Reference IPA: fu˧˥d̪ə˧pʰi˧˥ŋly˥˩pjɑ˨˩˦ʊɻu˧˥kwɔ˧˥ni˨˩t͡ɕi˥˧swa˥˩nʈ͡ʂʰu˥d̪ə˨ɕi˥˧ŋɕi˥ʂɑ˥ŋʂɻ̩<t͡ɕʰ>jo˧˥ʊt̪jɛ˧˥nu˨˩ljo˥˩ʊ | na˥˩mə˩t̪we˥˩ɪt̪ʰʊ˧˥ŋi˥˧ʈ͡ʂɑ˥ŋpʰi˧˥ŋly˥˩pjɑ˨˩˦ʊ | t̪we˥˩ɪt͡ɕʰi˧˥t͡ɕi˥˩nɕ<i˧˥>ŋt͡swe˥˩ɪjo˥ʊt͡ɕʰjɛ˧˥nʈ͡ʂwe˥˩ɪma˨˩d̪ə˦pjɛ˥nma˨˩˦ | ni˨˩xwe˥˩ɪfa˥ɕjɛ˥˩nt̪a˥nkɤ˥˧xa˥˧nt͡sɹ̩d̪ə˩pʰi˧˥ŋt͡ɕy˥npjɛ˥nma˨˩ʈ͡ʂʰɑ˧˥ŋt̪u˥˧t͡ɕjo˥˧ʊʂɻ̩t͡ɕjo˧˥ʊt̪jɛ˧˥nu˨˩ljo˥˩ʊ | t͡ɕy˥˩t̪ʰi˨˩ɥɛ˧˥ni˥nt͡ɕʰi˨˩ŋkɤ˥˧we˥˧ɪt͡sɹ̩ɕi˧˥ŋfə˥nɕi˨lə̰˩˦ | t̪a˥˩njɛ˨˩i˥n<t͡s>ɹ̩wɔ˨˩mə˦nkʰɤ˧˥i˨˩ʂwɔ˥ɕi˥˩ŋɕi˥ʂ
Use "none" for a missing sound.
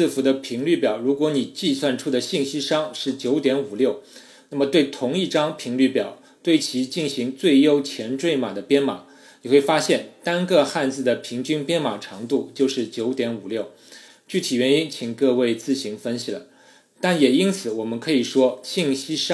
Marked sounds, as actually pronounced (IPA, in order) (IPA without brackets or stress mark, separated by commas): t͡ɕ, i˧˥, t͡sʰ